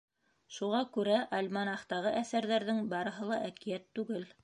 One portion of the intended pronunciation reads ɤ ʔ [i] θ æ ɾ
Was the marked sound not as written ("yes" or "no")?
yes